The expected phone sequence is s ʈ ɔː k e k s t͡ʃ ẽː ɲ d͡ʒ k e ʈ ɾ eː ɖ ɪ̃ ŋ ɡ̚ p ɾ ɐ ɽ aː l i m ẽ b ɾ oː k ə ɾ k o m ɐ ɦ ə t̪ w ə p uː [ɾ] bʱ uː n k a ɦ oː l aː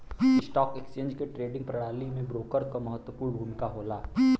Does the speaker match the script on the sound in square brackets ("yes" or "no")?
yes